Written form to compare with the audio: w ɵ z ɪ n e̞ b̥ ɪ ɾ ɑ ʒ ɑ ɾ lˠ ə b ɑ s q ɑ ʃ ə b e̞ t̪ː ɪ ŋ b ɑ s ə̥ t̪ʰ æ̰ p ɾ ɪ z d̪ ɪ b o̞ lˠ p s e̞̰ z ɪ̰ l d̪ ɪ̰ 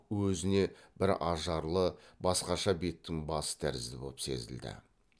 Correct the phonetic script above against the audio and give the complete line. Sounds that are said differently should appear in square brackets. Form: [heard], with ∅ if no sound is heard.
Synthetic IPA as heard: w ɵ z ɪ n e̞ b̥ ɪ ɾ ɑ ʒ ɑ ɾ lˠ ə b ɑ s q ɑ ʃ [ɑ] b e̞ t̪ː ɪ ŋ b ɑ s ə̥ t̪ʰ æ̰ [∅] ɾ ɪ z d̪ ɪ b o̞ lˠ p s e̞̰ z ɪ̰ l d̪ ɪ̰